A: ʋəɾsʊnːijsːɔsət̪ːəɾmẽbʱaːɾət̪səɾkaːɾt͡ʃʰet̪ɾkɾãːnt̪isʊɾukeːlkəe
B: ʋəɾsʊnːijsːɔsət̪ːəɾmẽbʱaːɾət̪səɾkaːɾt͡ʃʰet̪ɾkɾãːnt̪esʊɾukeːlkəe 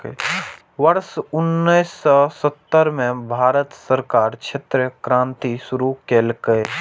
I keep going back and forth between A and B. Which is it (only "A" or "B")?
A